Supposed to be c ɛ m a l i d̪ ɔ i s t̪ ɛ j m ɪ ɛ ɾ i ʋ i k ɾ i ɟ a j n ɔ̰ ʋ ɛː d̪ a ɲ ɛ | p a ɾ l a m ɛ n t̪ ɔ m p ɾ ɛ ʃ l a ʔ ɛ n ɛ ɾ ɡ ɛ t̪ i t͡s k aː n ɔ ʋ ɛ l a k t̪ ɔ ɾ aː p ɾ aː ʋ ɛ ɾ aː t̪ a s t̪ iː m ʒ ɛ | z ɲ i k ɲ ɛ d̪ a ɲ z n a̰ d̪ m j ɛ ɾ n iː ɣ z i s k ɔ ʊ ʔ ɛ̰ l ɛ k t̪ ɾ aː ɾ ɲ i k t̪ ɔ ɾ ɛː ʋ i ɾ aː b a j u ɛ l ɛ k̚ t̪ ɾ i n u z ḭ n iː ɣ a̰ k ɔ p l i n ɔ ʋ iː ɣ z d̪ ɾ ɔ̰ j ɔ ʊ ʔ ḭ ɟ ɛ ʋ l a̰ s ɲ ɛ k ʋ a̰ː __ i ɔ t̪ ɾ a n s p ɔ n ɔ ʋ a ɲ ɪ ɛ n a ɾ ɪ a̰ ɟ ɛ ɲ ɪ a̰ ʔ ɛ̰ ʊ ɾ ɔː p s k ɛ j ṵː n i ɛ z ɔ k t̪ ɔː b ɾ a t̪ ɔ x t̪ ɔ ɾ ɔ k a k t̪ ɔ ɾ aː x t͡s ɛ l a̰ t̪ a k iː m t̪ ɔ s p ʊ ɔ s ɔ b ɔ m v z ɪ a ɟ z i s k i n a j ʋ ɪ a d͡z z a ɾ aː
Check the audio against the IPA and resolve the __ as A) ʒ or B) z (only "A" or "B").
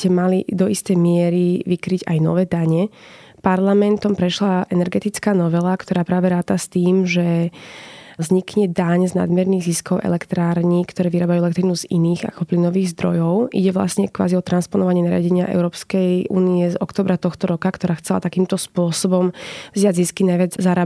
B